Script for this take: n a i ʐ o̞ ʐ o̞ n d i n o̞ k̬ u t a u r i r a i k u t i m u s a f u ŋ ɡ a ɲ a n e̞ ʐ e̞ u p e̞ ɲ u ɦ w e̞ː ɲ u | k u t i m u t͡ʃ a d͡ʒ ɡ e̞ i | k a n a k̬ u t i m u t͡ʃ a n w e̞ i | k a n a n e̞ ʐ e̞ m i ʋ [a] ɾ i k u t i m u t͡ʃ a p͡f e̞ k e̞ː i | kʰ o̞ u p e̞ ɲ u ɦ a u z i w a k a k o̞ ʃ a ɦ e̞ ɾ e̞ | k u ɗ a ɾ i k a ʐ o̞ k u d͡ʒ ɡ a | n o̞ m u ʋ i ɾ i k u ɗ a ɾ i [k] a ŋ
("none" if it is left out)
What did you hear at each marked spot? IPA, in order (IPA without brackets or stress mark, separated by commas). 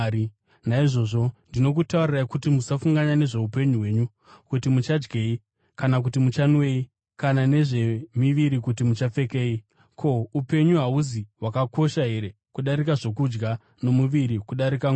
i, k